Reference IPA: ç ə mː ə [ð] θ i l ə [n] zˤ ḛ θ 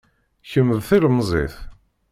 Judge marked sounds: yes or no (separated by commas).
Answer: yes, no